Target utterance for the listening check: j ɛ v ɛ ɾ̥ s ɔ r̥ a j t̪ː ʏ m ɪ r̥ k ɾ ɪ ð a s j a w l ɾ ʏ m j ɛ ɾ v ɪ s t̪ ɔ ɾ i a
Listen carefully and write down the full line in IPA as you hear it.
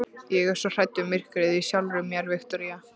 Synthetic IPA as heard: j ɛ ɣ ɛ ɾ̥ s ɔ r̥ a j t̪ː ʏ m ɪ r̥ k ɾ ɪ ð i s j a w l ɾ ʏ m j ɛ ɾ v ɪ x t̪ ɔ ɾ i a